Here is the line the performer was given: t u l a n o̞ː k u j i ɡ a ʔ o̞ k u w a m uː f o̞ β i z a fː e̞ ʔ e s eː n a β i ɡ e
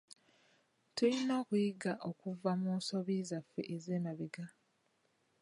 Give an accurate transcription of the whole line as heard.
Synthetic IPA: t u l i n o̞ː k u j i ɡ a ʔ o̞ k u v a m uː s o̞ β i z a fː e̞ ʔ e z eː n a β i ɡ a

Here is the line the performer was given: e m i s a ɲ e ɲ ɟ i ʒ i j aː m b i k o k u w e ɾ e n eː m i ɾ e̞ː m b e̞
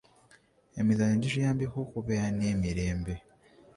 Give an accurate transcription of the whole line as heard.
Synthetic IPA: e m i z a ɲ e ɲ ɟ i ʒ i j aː m b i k o k u β e ɾ a n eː m i ɾ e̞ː m b e̞

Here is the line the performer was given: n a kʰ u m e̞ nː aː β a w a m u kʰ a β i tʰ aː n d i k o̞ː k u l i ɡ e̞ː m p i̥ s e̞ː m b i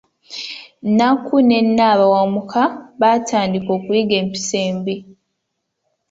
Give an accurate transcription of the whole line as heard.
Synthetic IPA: n a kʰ u n e̞ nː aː β a w a m u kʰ a β a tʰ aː n d i k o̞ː k u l i ɡ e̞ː m p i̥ s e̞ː m b i

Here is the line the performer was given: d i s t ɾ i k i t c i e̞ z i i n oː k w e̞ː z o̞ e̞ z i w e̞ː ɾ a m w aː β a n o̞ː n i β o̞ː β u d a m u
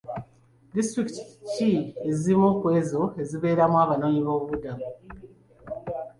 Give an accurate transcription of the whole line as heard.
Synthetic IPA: d i s t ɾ i k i t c i e̞ z i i m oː k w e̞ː z o̞ e̞ z i β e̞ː ɾ a m w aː β a n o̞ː ɲ i β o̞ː β u d a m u

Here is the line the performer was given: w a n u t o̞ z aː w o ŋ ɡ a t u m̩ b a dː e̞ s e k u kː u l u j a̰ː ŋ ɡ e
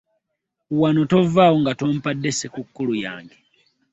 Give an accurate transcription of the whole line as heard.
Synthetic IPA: w a n o t o̞ v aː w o ŋ ɡ a t o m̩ p a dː e̞ s e k u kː u l u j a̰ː ŋ ɡ e

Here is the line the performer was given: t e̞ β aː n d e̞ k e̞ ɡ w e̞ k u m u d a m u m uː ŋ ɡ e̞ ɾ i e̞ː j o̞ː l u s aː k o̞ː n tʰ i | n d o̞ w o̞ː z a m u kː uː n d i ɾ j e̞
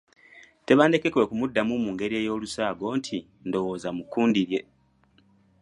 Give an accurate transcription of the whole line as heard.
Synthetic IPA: t e̞ β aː n d e̞ k e̞ k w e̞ k u m u dː a m u m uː ŋ ɡ e̞ ɾ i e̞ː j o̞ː l u s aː ɡ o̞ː n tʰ i | n d o̞ w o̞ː z a m u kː uː n d i ɾ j e̞

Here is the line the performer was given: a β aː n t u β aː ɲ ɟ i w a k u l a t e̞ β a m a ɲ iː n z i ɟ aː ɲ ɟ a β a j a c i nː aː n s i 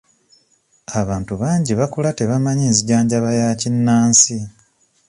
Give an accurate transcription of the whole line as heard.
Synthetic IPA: a β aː n t u β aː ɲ ɟ i β a k u l a t e̞ β a m a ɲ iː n z i ɟ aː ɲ ɟ a β a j a c i nː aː n s i

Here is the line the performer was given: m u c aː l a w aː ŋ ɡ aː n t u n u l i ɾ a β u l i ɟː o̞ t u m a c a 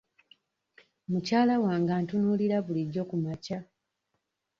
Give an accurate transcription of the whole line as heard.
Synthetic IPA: m u c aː l a w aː ŋ ɡ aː n t u n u l i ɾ a β u l i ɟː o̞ k u m a c a

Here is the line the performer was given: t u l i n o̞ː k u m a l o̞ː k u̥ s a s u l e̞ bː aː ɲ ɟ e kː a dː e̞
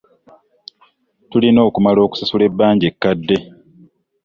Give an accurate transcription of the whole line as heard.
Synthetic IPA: t u l i n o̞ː k u m a l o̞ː k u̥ s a s u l e̞ bː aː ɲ ɟ e kː a dː e̞

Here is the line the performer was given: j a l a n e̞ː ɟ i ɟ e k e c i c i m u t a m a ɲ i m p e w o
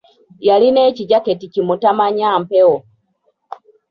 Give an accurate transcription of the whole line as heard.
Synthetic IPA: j a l i n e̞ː c i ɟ a k e t i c i m u t a m a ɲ a m p e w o

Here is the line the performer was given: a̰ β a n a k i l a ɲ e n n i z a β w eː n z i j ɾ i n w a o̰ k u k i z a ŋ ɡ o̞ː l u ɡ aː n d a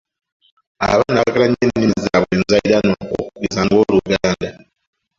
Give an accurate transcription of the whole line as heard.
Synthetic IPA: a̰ β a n a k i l a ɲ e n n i z a β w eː n z a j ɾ a n w a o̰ k u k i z a ŋ ɡ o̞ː l u ɡ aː n d a

